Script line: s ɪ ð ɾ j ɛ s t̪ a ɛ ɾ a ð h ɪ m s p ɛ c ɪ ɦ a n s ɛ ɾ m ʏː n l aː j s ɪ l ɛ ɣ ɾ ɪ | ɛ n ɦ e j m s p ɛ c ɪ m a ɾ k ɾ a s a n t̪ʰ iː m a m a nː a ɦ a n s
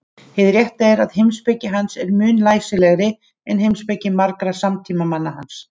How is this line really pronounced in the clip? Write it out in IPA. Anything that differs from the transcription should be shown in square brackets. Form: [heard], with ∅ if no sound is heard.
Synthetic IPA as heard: [h] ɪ ð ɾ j ɛ [h] t̪ a ɛ ɾ a ð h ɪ m s p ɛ c ɪ ɦ a n s ɛ ɾ m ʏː n l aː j s ɪ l ɛ ɣ ɾ ɪ | ɛ n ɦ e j m s p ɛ c ɪ m a ɾ k ɾ a s a [m] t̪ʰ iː m a m a nː a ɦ a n s